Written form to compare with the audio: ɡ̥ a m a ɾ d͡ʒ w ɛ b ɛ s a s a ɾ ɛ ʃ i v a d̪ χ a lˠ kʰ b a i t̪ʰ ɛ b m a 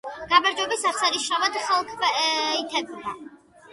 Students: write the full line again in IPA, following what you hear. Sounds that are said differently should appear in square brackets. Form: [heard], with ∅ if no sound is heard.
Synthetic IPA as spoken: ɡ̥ a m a ɾ d͡ʒ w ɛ b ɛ s a s a ɾ [i] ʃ [a] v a d̪ χ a lˠ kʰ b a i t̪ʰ ɛ b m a